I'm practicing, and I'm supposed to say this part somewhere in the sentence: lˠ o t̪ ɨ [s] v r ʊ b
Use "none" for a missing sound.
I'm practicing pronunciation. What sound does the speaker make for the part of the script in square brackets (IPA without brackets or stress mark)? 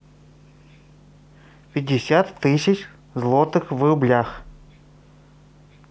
x